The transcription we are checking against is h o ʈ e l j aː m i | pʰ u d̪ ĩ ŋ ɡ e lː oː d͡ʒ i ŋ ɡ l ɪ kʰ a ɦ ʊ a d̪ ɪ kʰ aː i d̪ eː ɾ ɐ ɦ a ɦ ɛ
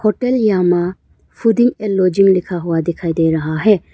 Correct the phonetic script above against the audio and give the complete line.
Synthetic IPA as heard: h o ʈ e l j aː m a | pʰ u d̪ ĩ ŋ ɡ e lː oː d͡ʒ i ŋ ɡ l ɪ kʰ a ɦ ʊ a d̪ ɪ kʰ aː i d̪ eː ɾ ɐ ɦ a ɦ ɛ